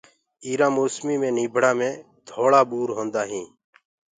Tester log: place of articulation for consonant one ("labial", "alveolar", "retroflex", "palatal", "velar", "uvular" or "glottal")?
alveolar